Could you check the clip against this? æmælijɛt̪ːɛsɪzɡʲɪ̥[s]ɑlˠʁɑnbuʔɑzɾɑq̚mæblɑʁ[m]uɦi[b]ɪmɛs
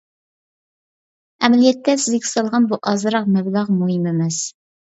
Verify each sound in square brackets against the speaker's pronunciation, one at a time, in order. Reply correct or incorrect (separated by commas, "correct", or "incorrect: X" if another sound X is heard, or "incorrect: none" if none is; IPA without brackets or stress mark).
correct, correct, incorrect: m